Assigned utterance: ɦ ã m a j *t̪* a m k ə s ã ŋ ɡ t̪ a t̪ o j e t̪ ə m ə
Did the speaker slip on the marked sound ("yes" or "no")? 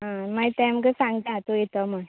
no